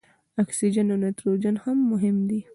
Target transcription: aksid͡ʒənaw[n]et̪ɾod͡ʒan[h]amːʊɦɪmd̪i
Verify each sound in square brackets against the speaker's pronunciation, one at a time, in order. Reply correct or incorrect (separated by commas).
correct, correct